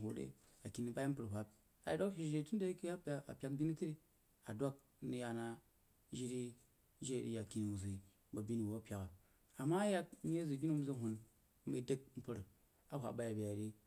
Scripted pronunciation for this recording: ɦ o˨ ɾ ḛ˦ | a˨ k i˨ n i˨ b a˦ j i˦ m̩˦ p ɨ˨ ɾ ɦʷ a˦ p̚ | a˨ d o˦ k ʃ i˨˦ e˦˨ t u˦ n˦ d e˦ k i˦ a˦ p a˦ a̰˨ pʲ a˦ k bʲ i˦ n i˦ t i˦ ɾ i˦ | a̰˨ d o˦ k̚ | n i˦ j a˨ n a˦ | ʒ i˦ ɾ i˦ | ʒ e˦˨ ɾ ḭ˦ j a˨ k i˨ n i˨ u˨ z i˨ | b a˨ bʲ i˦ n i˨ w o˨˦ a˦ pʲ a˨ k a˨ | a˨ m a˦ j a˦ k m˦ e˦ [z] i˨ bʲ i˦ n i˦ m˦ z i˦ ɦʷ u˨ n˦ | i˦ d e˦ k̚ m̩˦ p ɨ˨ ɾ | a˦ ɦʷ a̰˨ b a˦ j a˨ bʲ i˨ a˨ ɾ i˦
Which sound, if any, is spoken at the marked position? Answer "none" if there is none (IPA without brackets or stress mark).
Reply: z